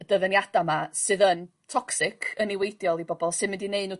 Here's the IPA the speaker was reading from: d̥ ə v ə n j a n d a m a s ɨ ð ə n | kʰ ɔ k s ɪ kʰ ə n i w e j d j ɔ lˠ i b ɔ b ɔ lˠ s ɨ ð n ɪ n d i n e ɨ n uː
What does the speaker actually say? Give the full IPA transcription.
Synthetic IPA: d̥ ə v ə n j a d a m a s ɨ ð ə n | tʰ ɔ k s ɪ kʰ ə n i w e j d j ɔ lˠ i b ɔ b ɔ lˠ s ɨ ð m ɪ n d i n e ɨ n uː

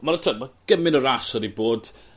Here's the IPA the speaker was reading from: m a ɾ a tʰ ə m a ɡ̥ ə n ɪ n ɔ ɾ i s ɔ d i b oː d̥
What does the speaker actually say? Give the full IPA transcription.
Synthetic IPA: m a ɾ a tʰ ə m a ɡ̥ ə m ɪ n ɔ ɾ a s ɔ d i b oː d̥

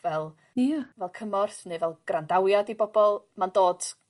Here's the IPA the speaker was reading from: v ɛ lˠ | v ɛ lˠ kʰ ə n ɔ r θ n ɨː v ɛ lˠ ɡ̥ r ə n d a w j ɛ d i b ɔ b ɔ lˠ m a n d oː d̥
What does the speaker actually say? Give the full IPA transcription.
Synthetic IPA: v ɛ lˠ | v ɛ lˠ kʰ ə m ɔ r θ n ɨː v ɛ lˠ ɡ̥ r a n d a w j a d i b ɔ b ɔ lˠ m a n d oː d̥

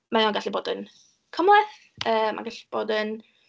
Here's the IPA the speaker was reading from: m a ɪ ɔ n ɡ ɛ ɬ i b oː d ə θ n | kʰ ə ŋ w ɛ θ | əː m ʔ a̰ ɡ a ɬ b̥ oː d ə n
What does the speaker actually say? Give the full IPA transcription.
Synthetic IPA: m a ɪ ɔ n ɡ a ɬ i b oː d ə n | kʰ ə m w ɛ θ | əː m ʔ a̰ ɡ a ɬ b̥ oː d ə n

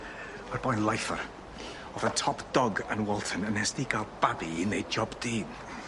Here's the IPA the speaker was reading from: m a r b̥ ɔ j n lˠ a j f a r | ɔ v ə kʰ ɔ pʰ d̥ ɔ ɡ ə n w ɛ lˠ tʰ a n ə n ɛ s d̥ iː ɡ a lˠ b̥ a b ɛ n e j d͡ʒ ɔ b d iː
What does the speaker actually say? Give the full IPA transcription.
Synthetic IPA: m a r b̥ ɔ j n lˠ a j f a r | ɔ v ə tʰ ɔ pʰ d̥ ɔ ɡ ə n w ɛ lˠ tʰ ə n ə n ɛ s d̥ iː ɡ a lˠ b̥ a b i n e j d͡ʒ ɔ b d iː

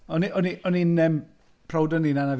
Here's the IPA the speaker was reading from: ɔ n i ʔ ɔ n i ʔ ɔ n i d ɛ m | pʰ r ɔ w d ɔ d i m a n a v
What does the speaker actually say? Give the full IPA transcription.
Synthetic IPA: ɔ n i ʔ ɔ n i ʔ ɔ n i n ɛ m | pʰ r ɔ w d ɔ n i n a n a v

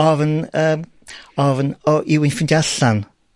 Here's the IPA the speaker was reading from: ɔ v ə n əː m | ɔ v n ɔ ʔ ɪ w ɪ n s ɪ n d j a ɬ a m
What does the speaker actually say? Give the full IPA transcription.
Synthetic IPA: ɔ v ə n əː m | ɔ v n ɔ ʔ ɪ w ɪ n f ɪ n d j a ɬ a n

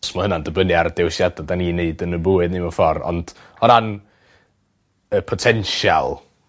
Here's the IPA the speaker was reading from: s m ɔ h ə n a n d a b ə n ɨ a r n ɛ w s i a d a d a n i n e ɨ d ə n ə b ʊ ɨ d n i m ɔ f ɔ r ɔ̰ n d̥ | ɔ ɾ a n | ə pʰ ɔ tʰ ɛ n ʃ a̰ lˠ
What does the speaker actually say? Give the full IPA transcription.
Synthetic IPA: s m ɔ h ə n a n d ə b ə n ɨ a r d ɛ w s j a d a d a n i n e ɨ d ə n ə b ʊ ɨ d n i m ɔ f ɔ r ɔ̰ n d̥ | ɔ ɾ a n | ə pʰ ɔ tʰ ɛ n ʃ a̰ lˠ

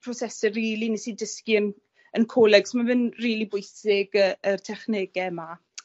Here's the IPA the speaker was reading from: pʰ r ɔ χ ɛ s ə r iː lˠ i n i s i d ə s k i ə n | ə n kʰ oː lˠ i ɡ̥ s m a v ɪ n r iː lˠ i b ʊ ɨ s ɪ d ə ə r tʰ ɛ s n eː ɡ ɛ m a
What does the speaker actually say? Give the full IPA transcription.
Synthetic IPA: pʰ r ɔ s ɛ s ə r iː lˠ i n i s i d ə s k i ə n | ə n kʰ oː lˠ ɛ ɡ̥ s m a v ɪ n r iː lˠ i b ʊ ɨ s ɪ ɡ ə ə r tʰ ɛ χ n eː ɡ ɛ m a

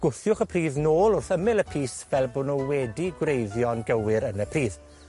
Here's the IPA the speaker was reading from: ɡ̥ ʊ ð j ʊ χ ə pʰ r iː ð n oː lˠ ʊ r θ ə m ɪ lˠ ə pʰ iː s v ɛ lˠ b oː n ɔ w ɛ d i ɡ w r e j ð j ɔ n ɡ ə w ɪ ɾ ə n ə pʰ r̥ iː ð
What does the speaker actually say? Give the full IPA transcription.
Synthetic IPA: ɡ̥ ʊ θ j ʊ χ ə pʰ r iː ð n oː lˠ ʊ r θ ə m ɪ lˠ ə pʰ iː s v ɛ lˠ b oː n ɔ w ɛ d i ɡ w r e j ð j ɔ n ɡ ə w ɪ ɾ ə n ə pʰ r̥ iː ð

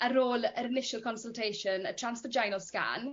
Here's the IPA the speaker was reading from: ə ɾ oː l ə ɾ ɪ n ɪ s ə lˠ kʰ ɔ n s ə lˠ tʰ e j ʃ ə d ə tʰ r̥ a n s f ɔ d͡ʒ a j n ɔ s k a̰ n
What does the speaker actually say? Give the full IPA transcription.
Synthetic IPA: ə ɾ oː l ə ɾ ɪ n ɪ ʃ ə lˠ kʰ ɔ n s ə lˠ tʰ e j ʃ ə n ə tʰ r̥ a n s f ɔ d͡ʒ a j n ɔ s k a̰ n

